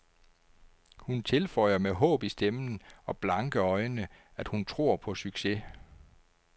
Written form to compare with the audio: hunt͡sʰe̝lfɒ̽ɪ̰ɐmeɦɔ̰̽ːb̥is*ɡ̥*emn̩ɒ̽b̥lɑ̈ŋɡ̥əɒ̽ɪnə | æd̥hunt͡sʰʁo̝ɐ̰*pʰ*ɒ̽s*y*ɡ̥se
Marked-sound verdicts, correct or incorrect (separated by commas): incorrect, correct, correct